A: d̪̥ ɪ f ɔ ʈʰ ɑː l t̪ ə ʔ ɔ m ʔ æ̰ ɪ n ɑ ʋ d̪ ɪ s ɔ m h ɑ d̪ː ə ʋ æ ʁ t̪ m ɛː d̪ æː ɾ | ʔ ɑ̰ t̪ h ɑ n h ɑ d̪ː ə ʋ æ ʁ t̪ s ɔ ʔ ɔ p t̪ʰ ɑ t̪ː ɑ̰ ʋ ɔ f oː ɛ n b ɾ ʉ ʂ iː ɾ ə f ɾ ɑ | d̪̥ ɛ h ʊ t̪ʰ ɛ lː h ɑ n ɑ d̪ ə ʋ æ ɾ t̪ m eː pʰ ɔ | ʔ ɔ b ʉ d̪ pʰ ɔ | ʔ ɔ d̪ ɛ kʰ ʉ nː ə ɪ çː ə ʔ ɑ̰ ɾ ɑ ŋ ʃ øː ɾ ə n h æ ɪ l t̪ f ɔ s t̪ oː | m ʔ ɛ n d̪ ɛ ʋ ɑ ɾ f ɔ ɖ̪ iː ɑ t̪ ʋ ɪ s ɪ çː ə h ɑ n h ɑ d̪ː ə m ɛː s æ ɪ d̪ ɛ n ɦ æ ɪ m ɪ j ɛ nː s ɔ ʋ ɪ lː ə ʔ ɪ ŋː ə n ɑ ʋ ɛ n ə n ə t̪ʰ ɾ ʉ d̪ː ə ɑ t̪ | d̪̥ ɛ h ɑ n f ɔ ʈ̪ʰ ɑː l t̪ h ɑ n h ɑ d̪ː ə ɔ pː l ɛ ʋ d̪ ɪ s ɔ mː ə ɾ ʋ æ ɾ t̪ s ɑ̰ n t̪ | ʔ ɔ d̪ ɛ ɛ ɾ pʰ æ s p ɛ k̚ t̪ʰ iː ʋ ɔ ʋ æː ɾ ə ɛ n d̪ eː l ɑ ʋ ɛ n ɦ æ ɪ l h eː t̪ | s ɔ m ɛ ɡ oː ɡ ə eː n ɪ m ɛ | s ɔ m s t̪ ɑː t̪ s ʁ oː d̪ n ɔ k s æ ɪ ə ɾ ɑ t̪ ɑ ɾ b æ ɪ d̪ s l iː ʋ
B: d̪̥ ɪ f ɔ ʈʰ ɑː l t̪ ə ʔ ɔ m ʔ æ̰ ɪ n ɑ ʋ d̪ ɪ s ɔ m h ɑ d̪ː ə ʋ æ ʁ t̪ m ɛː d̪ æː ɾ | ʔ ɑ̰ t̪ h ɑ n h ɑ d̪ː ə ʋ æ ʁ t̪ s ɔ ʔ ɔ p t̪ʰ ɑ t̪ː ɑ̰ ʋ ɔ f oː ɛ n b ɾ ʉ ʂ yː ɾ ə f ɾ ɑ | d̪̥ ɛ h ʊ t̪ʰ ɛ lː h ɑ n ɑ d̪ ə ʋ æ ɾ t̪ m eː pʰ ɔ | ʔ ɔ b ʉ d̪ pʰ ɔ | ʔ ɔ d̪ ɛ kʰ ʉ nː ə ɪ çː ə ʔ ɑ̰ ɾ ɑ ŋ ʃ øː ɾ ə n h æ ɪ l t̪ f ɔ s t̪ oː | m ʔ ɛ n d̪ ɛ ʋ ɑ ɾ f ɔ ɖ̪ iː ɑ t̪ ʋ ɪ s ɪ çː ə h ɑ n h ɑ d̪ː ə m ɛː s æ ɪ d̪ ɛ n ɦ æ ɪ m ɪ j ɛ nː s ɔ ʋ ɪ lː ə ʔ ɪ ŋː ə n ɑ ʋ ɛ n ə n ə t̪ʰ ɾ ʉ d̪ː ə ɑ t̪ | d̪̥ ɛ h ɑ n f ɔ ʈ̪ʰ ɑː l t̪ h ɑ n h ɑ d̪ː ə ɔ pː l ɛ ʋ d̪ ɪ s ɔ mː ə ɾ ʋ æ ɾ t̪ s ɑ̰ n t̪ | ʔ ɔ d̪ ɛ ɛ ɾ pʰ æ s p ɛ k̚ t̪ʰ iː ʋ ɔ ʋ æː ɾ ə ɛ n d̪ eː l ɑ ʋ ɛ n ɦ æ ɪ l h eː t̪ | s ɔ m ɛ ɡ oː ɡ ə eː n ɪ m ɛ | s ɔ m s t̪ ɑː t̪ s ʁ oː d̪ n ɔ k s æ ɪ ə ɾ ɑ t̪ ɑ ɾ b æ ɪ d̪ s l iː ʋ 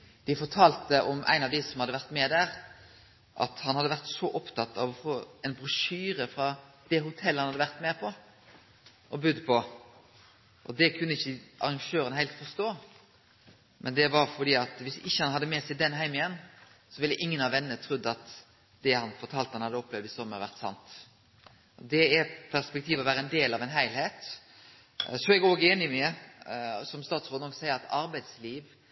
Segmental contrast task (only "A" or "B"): B